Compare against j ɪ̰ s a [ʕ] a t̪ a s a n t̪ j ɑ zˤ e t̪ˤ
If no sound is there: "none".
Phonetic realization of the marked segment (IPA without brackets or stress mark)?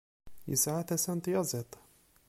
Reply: ʕ